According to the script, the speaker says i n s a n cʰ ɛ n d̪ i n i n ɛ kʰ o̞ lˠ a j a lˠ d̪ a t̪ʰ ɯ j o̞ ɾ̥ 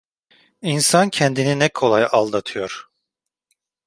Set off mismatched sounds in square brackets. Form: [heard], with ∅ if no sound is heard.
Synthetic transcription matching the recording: i n s a n cʰ ɛ n d̪ i n i n ɛ kʰ o̞ lˠ a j a lˠ d̪ a t̪ʰ ɯ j o̞ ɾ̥